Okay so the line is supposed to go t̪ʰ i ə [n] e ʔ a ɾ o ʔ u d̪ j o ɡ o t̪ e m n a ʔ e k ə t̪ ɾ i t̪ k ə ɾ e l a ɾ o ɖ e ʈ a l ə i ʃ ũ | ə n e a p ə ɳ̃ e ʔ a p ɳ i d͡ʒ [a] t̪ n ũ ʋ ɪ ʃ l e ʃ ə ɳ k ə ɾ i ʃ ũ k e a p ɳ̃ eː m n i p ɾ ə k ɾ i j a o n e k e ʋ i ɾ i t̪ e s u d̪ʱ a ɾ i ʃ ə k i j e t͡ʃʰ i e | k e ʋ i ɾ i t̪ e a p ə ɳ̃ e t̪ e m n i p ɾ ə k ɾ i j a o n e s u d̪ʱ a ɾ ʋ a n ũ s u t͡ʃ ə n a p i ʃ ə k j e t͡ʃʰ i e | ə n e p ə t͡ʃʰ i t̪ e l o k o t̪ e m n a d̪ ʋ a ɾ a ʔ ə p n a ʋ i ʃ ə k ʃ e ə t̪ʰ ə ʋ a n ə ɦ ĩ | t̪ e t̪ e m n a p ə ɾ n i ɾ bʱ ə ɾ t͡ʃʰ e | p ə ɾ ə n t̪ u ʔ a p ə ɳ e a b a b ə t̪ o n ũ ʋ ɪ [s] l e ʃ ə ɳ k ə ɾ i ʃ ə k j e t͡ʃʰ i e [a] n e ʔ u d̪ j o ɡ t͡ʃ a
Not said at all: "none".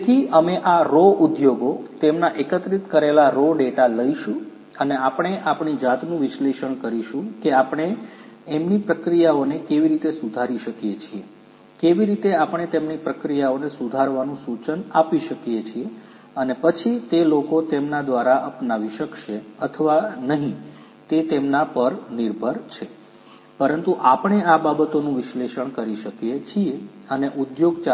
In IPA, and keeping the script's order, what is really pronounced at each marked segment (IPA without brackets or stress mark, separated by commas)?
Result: m, a, ʃ, ə